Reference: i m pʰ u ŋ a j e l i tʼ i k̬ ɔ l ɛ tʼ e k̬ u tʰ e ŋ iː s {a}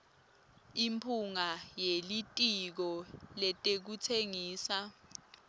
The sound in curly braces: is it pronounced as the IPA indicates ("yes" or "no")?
yes